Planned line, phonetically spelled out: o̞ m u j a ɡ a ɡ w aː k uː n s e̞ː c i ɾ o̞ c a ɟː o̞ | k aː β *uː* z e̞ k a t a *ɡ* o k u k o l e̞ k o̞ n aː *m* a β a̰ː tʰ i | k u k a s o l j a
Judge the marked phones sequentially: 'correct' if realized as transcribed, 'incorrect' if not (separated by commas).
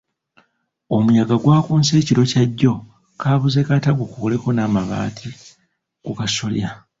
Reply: incorrect, correct, correct